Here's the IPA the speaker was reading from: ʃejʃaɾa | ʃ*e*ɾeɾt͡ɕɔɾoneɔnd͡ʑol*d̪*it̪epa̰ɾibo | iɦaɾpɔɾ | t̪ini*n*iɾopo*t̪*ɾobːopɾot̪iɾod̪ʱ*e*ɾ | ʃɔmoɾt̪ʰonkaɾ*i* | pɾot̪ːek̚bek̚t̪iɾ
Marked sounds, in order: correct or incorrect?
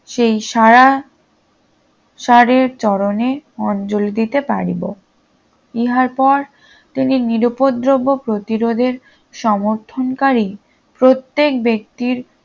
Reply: incorrect, correct, correct, incorrect, correct, correct

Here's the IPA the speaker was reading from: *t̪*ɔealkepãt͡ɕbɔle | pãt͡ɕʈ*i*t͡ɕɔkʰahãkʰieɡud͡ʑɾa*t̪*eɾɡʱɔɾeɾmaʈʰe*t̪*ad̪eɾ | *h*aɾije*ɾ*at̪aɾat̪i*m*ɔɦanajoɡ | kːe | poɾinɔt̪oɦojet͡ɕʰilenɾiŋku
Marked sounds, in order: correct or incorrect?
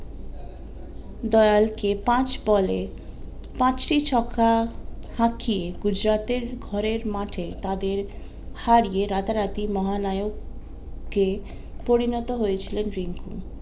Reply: incorrect, correct, correct, correct, correct, correct, correct

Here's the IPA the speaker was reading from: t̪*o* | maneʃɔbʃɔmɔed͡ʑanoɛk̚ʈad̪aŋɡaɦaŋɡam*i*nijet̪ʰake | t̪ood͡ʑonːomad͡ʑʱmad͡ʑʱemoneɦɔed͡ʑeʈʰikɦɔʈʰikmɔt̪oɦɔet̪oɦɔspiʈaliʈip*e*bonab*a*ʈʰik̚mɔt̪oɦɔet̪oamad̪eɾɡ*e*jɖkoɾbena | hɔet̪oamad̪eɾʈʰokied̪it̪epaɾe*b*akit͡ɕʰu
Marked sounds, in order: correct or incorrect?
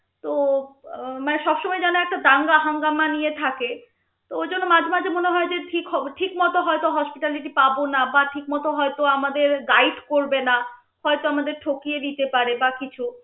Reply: correct, incorrect, incorrect, correct, incorrect, correct

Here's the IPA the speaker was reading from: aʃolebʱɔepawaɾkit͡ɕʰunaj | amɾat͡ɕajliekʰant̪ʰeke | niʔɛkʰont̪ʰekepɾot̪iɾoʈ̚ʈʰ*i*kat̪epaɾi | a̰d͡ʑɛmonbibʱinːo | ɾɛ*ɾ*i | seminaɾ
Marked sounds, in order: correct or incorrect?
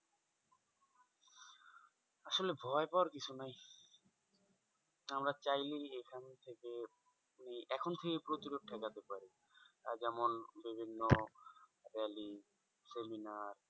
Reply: incorrect, incorrect

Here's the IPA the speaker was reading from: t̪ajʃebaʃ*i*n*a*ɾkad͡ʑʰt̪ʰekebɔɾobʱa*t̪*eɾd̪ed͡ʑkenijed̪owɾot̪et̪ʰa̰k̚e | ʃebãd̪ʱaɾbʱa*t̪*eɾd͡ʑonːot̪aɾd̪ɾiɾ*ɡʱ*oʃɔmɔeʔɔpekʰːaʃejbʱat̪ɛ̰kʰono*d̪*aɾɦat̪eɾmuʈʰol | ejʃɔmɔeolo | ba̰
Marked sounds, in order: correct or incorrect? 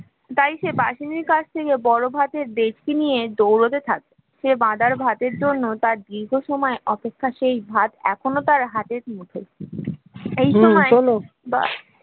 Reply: correct, incorrect, correct, correct, correct, incorrect

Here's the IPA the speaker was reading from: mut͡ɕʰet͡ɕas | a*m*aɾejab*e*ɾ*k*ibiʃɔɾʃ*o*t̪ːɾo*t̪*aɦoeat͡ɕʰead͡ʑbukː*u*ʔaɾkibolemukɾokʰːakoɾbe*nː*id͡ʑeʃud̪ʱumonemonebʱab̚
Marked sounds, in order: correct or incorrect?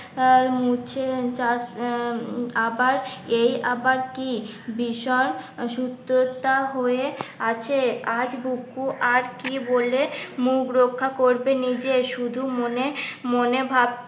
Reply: incorrect, incorrect, correct, incorrect, correct, correct, incorrect

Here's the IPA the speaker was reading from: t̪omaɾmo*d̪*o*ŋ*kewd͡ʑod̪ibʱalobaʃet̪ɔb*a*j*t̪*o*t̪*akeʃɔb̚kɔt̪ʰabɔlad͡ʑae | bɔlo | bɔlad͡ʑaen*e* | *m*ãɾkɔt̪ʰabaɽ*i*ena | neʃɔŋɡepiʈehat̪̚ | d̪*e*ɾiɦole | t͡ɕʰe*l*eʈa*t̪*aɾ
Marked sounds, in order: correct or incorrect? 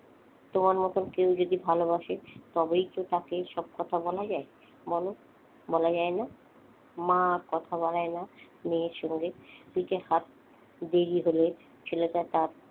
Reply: incorrect, incorrect, incorrect, correct, correct, incorrect, correct, incorrect, correct, correct, correct

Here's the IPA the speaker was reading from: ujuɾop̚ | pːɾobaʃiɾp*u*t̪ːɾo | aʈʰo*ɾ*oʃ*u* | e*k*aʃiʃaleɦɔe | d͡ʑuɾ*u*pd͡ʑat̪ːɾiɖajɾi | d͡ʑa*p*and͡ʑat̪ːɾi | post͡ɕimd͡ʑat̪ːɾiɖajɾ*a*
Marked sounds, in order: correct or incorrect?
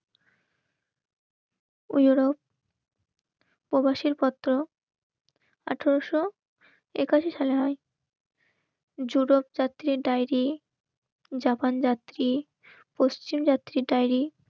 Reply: incorrect, correct, incorrect, correct, incorrect, correct, incorrect

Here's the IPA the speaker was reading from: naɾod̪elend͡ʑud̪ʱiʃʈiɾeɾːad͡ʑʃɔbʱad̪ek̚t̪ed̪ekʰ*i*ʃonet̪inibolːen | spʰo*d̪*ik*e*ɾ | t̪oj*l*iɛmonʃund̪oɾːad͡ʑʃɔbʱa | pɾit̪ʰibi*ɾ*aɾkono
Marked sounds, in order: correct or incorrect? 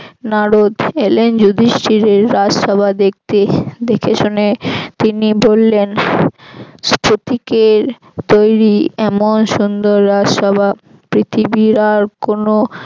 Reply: incorrect, incorrect, correct, incorrect, correct

